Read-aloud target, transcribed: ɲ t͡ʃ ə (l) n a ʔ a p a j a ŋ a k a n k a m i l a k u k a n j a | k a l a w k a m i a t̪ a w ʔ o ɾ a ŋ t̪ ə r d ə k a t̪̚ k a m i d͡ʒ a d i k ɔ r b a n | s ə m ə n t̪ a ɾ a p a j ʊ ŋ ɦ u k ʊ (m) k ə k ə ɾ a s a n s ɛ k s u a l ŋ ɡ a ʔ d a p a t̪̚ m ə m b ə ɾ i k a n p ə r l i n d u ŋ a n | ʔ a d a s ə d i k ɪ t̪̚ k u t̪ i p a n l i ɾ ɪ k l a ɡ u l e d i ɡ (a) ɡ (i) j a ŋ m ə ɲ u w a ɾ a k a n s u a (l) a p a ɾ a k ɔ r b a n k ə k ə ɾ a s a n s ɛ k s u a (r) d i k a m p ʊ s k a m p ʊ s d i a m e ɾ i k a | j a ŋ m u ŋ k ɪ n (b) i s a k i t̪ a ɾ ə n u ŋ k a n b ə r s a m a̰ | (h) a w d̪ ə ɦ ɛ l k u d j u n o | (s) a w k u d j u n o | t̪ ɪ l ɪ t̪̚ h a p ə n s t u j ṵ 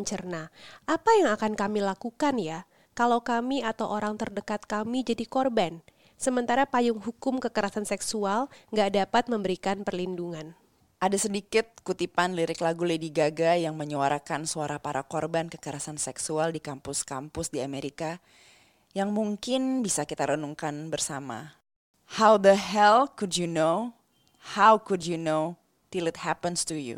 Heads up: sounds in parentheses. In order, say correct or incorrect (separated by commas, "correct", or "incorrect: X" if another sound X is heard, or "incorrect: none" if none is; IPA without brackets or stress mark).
incorrect: r, correct, correct, incorrect: a, incorrect: ɾ, incorrect: l, correct, correct, incorrect: h